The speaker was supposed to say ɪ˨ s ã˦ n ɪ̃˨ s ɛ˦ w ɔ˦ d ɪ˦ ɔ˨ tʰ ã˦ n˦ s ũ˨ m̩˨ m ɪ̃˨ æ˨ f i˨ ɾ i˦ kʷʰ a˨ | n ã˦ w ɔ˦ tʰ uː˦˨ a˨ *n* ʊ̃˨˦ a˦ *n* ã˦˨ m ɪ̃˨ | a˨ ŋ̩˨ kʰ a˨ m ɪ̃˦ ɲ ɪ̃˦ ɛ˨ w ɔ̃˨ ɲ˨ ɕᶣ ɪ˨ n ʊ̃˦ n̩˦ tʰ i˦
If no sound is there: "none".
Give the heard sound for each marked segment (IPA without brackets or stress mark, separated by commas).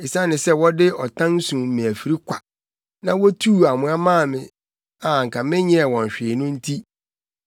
m, m